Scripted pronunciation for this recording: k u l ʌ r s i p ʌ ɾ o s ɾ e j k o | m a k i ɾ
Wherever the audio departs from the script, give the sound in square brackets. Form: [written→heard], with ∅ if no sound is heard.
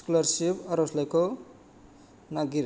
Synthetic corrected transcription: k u l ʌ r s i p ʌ ɾ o s [ɾ→l] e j k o | [m→n] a [k→ɡ] i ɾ